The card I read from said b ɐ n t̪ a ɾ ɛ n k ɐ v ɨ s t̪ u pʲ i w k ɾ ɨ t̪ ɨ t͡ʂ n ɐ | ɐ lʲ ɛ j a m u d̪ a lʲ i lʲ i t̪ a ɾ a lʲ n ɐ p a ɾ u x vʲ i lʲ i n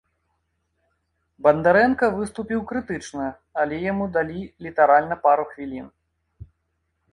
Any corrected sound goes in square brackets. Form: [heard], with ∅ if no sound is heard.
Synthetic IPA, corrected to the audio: b ɐ n [d̪] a ɾ ɛ n k ɐ v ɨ s t̪ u pʲ i w k ɾ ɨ t̪ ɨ t͡ʂ n ɐ | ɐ lʲ ɛ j a m u d̪ a lʲ i lʲ i t̪ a ɾ a lʲ n ɐ p a ɾ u x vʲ i lʲ i n